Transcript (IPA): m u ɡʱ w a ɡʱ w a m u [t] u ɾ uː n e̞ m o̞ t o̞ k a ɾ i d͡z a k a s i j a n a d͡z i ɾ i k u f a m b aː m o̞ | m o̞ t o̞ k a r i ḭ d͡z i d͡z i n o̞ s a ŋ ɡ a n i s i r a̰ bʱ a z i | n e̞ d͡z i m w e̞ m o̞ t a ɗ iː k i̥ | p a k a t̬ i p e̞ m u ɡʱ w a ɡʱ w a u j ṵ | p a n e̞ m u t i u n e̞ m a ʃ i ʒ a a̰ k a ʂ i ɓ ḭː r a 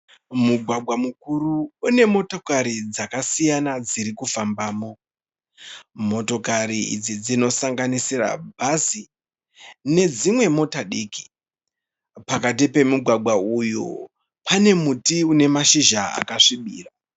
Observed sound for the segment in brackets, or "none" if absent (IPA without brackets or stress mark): k